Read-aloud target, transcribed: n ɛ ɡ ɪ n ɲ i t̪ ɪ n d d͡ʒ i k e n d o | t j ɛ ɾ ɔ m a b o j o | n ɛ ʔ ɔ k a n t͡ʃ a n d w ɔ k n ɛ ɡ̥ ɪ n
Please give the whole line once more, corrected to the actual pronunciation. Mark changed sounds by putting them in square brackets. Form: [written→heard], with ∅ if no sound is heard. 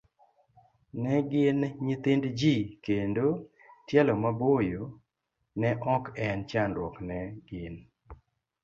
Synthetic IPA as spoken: n ɛ ɡ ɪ n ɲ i t̪ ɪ n d d͡ʒ i k e n d o | t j ɛ [ɾ→l] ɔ m a b o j o | n ɛ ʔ ɔ k [a→ɛ] n t͡ʃ a n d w ɔ k n ɛ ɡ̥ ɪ n